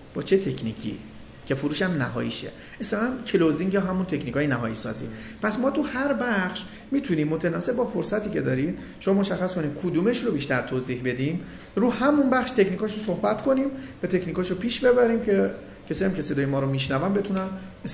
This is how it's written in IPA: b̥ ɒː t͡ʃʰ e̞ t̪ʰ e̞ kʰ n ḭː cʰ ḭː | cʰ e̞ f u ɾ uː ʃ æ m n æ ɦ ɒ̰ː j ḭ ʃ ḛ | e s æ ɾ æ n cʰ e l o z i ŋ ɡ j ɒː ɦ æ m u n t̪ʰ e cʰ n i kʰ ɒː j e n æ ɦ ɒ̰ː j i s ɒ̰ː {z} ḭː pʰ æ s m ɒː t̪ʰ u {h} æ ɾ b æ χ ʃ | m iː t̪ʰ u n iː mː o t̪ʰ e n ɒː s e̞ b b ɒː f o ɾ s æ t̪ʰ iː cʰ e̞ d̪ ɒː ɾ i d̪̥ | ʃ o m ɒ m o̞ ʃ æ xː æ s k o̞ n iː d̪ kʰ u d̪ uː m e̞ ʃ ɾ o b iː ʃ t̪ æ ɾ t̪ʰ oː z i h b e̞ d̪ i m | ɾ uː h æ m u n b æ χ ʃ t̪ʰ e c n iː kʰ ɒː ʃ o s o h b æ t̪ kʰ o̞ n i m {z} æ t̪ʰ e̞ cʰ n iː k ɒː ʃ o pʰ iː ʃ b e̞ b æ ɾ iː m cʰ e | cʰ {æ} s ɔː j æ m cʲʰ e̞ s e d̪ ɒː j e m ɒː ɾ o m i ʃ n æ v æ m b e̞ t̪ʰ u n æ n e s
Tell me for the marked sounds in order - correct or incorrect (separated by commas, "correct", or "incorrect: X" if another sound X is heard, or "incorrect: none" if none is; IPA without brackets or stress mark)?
correct, correct, incorrect: v, incorrect: e